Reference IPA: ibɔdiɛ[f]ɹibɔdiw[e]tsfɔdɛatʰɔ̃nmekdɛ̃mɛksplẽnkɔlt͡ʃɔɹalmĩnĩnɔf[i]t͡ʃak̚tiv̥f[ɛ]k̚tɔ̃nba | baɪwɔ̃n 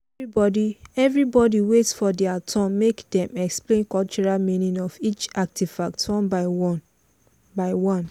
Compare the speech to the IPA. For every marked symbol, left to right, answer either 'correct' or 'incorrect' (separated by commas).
incorrect, correct, correct, incorrect